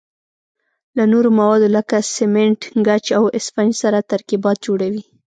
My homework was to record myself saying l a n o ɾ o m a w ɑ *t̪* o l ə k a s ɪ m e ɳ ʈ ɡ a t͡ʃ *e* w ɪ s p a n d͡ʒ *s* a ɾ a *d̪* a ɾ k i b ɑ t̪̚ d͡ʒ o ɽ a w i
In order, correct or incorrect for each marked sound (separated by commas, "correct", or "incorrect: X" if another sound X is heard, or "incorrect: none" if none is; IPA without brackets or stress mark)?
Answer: incorrect: d̪, incorrect: a, correct, incorrect: t̪